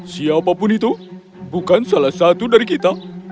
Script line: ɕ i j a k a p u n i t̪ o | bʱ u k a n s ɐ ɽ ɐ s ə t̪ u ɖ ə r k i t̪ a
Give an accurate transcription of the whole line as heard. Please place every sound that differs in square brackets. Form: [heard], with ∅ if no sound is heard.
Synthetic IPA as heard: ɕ i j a [p] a p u n i t̪ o | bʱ u k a n s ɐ [l] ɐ s [a] t̪ u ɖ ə [ɾ] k i t̪ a